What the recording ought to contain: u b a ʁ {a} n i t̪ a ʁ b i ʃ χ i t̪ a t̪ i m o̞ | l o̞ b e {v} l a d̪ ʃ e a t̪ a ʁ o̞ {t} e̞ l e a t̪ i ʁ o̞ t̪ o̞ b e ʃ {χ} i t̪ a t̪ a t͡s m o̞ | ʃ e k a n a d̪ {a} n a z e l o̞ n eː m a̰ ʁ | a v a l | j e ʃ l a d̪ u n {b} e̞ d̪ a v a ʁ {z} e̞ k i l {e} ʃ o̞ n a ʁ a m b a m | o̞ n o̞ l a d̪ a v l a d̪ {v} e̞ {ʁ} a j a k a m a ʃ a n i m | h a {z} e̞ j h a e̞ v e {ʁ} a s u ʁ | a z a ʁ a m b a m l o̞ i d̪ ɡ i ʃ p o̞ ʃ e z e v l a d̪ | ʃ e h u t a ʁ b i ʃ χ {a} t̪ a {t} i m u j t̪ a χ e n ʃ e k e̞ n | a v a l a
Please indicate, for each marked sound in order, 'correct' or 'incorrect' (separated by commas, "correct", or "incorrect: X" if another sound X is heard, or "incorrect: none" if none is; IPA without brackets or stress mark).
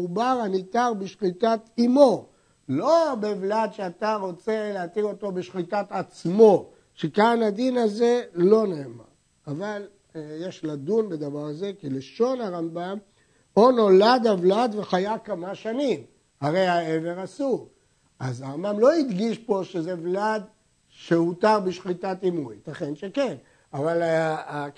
correct, correct, incorrect: t͡s, correct, incorrect: i, correct, correct, correct, correct, incorrect: χ, incorrect: ʁ, correct, incorrect: i, correct